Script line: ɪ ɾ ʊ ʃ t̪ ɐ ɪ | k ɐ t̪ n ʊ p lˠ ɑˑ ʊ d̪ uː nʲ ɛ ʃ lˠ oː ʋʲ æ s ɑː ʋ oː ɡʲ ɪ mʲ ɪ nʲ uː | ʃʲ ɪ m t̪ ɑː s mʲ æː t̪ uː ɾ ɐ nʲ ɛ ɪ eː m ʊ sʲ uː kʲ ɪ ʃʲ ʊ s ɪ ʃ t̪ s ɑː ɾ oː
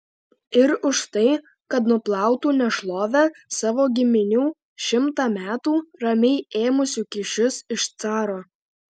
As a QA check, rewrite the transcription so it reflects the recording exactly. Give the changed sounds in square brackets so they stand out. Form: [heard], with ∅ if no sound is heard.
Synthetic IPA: ɪ ɾ ʊ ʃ t̪ ɐ ɪ | k ɐ t̪ n ʊ p lˠ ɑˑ ʊ [t̪] uː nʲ ɛ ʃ lˠ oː ʋʲ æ s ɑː ʋ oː ɡʲ ɪ mʲ ɪ nʲ uː | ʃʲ ɪ m t̪ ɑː [∅] mʲ æː t̪ uː ɾ ɐ [mʲ] ɛ ɪ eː m ʊ sʲ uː kʲ ɪ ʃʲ ʊ s ɪ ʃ t̪ s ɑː ɾ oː

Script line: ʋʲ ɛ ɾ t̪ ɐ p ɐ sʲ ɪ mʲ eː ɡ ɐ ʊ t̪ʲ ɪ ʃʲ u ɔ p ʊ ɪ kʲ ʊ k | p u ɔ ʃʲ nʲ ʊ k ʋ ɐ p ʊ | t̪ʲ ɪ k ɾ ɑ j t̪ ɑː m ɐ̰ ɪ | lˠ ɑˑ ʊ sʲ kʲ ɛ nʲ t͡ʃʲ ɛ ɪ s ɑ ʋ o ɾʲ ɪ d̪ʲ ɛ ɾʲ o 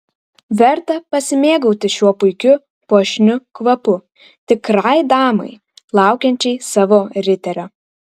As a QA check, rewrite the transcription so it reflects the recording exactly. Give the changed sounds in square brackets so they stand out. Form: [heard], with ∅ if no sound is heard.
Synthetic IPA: ʋʲ ɛ ɾ t̪ ɐ p ɐ sʲ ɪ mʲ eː ɡ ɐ ʊ t̪ʲ ɪ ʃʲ u ɔ p ʊ ɪ kʲ ʊ [∅] | p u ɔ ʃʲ nʲ ʊ k ʋ ɐ p ʊ | t̪ʲ ɪ k ɾ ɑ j [d̪] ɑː m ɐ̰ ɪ | lˠ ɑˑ ʊ [∅] kʲ ɛ nʲ t͡ʃʲ ɛ ɪ s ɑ ʋ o ɾʲ ɪ [t̪ʲ] ɛ ɾʲ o

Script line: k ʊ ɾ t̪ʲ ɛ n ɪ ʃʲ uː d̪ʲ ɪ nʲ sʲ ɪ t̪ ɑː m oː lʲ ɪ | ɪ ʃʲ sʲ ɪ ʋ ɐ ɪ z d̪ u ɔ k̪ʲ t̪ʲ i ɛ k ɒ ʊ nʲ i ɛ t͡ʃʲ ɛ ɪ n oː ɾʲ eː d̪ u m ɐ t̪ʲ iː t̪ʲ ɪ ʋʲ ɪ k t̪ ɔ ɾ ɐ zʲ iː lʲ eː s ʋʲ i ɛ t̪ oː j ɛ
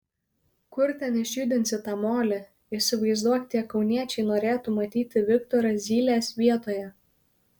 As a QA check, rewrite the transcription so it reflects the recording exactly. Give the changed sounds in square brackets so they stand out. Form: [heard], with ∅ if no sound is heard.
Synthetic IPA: k ʊ ɾ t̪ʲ ɛ n ɪ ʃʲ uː d̪ʲ ɪ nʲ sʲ ɪ t̪ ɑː m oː lʲ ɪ | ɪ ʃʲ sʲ ɪ ʋ ɐ ɪ z d̪ u ɔ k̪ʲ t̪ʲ i ɛ k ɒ ʊ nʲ i ɛ t͡ʃʲ ɛ ɪ n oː ɾʲ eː [t̪] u m ɐ t̪ʲ iː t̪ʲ ɪ ʋʲ ɪ k t̪ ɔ ɾ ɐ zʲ iː lʲ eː s ʋʲ i ɛ t̪ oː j ɛ

